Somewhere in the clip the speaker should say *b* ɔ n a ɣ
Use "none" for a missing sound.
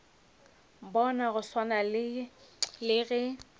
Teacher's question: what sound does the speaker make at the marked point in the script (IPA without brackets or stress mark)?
b